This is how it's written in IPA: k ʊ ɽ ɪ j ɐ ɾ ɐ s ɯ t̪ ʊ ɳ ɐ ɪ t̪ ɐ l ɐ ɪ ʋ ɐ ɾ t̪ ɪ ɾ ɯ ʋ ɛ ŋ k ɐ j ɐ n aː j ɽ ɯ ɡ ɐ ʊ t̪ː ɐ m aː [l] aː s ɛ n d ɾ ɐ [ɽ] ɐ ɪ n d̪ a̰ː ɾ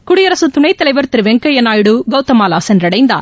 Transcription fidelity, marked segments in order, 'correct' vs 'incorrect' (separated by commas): correct, correct